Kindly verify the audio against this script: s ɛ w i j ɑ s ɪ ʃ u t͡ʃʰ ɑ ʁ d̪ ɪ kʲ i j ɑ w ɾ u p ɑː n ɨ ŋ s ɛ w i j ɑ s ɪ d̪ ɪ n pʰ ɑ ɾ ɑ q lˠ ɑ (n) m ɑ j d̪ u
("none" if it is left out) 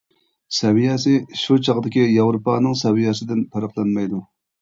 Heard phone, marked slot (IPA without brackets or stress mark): n